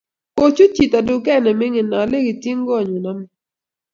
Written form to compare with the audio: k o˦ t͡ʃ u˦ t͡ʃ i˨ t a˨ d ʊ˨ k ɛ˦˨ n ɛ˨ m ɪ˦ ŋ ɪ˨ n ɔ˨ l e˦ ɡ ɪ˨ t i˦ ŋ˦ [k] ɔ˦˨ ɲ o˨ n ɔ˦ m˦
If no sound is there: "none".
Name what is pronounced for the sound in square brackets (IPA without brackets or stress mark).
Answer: ɡ